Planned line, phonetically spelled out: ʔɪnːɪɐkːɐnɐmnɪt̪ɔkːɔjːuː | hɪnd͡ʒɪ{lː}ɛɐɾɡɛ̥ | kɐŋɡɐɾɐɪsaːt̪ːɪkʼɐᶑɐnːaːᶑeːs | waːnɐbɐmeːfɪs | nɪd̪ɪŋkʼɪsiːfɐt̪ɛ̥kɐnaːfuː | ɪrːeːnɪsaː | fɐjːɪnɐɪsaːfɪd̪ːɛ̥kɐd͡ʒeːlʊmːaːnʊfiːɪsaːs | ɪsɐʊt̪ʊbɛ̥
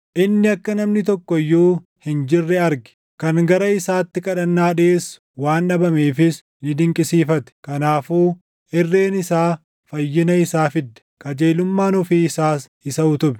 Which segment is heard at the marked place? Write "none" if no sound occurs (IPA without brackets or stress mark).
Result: rː